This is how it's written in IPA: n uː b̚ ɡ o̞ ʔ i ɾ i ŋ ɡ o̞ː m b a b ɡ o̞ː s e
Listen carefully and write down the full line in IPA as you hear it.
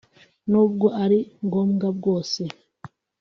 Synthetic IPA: n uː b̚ ɡ o̞ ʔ a ɾ i ŋ ɡ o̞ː m ɡ a b ɡ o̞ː s e